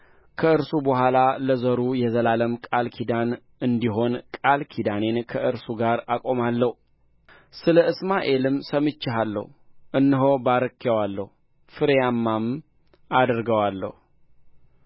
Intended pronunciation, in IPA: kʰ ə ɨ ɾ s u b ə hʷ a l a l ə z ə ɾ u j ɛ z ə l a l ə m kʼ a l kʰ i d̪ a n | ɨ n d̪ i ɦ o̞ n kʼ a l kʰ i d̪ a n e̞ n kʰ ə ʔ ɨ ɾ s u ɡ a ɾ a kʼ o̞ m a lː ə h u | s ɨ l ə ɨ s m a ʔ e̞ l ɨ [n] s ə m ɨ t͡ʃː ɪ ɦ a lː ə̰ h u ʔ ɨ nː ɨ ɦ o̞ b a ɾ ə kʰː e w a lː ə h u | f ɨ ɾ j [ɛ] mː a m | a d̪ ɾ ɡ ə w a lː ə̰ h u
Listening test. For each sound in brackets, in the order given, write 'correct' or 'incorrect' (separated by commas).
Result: incorrect, incorrect